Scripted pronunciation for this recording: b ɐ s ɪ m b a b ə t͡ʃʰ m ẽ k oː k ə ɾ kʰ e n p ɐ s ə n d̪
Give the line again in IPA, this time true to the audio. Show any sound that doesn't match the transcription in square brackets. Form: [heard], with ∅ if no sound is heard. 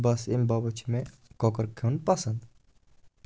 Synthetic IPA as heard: b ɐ s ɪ m b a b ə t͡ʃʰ m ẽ k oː k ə ɾ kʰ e n p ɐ s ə n d̪